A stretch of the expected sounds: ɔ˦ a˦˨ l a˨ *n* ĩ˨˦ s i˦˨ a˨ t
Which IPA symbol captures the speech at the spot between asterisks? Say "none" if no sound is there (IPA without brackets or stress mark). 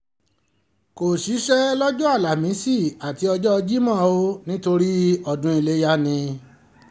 m